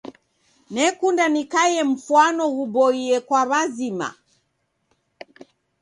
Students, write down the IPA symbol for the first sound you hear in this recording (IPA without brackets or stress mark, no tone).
n